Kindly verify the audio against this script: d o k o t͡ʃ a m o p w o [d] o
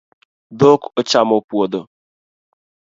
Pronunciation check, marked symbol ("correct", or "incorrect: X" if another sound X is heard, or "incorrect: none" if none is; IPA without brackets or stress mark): correct